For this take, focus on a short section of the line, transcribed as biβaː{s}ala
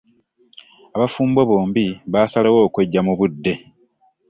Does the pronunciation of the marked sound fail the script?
no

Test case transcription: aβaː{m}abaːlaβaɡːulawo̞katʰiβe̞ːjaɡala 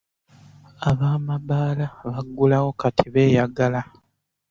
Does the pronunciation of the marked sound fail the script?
no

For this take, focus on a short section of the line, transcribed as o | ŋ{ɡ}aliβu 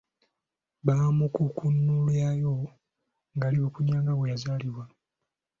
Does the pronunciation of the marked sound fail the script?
no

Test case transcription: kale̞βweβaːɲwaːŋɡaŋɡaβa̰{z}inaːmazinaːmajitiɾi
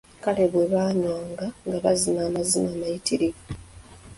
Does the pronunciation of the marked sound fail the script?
no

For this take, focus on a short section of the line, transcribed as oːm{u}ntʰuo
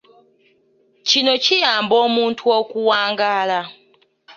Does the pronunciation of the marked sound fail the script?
yes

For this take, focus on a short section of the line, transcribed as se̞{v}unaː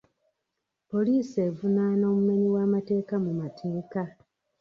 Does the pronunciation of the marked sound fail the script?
no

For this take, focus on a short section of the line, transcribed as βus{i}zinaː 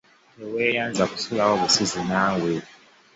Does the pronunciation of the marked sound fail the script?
no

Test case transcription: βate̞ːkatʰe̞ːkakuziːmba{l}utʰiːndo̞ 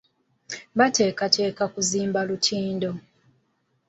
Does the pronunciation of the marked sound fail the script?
no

